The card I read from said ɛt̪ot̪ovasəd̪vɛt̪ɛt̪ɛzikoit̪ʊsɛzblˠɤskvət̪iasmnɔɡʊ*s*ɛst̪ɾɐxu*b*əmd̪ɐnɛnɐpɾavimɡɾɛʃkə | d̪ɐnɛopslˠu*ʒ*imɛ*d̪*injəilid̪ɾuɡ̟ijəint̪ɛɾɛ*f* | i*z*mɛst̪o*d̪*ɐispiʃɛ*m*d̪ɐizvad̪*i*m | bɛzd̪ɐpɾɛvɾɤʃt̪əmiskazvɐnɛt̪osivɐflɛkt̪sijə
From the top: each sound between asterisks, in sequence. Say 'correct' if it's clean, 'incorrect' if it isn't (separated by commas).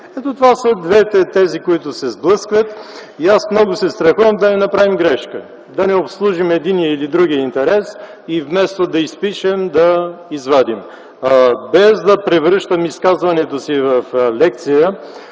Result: correct, incorrect, correct, correct, incorrect, incorrect, correct, correct, correct